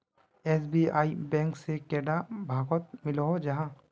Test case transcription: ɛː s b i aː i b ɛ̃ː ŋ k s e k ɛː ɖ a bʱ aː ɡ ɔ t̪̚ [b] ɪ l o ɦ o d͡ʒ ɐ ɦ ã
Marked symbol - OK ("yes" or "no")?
no